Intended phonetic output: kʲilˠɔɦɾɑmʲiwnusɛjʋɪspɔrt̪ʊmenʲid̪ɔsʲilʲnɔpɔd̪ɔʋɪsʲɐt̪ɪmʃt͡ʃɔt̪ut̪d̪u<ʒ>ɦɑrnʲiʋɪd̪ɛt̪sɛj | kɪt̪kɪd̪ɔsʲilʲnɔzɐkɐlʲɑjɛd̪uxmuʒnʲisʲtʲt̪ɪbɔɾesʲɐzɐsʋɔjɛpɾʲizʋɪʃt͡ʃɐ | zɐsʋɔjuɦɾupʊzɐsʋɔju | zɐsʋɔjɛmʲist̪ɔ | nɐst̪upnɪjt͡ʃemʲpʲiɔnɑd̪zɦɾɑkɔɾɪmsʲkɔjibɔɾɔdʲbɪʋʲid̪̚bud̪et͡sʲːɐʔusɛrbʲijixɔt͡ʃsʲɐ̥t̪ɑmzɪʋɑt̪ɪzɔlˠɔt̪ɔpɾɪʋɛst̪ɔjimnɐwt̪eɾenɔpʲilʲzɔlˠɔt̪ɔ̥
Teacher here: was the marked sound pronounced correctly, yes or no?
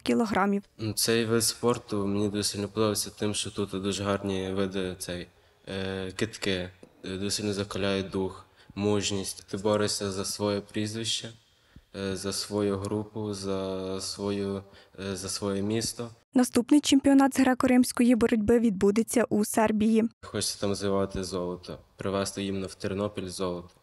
yes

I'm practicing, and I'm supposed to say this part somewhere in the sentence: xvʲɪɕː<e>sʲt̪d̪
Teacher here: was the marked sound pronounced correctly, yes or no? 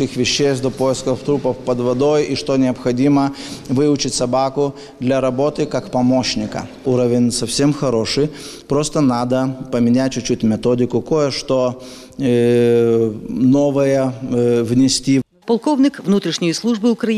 yes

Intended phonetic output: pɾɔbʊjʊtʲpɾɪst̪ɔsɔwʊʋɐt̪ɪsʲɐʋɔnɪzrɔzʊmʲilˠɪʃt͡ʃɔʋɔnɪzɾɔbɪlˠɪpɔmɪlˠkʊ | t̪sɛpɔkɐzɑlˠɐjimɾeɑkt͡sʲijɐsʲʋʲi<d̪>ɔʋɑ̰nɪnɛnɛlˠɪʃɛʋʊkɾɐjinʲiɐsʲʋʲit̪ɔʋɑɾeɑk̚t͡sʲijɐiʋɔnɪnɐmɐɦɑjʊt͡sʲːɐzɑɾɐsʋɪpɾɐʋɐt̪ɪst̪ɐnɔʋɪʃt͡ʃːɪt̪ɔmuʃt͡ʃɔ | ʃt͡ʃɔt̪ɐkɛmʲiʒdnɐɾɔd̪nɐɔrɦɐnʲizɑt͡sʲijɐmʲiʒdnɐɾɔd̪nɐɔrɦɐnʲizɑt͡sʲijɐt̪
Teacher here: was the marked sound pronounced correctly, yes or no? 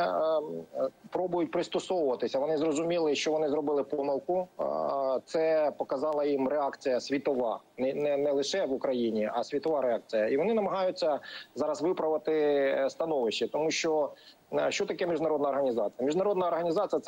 no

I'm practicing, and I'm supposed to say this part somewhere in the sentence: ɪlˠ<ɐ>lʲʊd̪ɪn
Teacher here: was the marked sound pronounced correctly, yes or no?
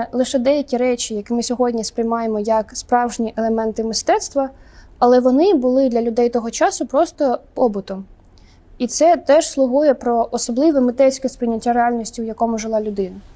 no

